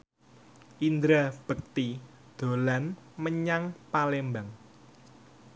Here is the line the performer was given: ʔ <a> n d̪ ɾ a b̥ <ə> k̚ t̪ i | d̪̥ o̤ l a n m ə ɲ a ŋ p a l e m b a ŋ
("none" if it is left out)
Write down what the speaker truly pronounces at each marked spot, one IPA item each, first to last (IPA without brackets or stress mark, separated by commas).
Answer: i, ə